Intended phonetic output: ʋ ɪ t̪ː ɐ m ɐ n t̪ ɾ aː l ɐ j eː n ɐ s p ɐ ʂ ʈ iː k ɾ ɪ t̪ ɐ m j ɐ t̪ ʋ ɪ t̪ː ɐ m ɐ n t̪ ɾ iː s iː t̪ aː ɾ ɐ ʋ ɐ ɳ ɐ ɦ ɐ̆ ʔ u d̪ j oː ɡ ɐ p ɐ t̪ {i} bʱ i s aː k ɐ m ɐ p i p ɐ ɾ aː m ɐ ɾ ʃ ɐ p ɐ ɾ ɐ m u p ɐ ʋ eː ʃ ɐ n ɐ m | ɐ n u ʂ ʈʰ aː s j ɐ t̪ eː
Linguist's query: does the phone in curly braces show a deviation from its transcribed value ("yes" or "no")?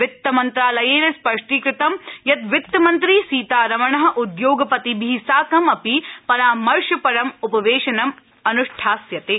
no